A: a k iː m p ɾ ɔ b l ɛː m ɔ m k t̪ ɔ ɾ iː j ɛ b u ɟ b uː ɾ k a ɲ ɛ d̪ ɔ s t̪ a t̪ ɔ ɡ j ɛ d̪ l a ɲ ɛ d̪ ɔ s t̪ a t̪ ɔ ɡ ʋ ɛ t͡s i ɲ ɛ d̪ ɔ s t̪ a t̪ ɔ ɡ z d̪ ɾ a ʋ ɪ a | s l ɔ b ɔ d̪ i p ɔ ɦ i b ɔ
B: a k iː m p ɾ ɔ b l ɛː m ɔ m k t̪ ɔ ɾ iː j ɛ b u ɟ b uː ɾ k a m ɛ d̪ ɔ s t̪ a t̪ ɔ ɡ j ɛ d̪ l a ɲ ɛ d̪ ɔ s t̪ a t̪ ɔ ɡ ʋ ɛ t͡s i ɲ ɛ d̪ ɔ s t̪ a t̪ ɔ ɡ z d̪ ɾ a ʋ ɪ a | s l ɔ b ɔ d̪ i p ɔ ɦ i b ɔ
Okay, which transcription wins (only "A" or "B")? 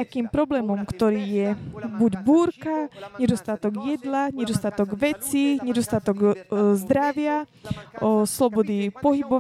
A